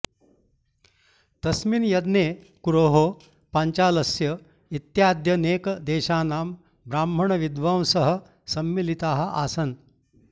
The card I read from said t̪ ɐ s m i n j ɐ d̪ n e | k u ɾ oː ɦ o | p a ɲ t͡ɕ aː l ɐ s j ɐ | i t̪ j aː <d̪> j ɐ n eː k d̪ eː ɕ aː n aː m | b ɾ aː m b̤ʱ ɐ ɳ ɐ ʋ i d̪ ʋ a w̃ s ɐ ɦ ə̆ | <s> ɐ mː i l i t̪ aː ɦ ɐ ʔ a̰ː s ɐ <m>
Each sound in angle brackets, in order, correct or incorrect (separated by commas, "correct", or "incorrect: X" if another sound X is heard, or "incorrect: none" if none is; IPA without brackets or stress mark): correct, correct, incorrect: n